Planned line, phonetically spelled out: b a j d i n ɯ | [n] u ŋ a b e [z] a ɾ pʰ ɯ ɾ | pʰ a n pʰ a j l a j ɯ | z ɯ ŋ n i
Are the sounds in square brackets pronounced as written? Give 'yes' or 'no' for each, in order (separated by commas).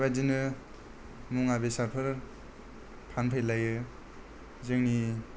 no, no